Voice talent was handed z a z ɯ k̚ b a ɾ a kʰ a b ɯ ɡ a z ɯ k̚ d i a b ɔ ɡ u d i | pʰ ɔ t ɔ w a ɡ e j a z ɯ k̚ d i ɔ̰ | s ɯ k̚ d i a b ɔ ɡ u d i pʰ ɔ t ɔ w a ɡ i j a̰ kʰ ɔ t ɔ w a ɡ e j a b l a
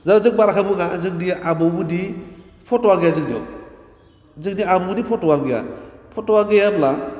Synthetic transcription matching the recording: z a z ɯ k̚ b a ɾ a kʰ a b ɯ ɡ a z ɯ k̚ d i a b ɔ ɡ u d i | pʰ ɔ t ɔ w a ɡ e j a z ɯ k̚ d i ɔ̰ | z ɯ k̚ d i a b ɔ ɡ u d i pʰ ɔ t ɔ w a ɡ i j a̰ pʰ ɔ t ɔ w a ɡ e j a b l a